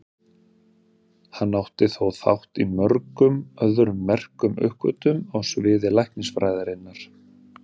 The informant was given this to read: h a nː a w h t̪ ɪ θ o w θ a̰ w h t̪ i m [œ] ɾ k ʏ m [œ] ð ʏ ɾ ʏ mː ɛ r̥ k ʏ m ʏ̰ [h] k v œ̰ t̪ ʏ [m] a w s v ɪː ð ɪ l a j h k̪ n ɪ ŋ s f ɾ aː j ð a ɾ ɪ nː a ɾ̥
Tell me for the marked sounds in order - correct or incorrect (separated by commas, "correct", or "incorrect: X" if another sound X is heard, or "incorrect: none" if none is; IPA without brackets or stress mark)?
correct, correct, correct, correct